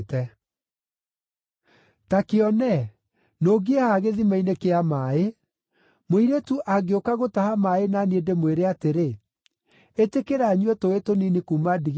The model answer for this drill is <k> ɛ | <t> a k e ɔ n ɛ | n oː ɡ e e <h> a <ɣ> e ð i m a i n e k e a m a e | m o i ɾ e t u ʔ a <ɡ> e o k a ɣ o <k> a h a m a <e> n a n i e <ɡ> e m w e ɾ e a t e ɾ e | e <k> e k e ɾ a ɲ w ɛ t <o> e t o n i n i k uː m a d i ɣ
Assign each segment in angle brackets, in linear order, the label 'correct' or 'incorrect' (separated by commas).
incorrect, correct, correct, correct, correct, incorrect, correct, incorrect, incorrect, correct